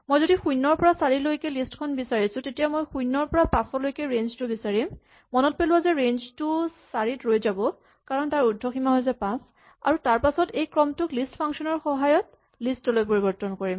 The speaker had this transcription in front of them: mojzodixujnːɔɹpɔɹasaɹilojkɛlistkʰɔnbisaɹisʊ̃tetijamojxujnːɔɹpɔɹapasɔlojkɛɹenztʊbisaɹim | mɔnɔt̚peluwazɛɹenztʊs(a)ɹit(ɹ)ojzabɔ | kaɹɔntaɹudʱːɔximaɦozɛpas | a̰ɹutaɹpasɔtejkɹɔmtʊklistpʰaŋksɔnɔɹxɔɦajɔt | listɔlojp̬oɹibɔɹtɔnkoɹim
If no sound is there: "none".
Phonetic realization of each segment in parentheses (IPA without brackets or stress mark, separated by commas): a, ɹ